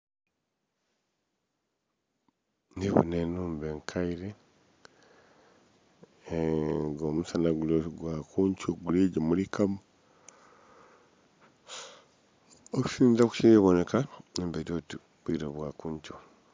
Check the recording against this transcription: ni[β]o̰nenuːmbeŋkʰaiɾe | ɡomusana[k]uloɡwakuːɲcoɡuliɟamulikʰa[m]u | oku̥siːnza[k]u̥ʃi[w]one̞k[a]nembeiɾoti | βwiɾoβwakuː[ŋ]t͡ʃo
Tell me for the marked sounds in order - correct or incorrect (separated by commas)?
correct, incorrect, correct, correct, incorrect, correct, incorrect